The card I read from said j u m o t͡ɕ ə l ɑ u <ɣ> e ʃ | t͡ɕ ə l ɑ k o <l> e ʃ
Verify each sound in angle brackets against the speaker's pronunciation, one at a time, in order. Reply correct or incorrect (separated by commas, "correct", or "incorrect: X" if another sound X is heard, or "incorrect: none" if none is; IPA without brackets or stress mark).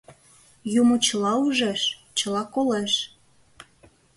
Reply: incorrect: ʒ, correct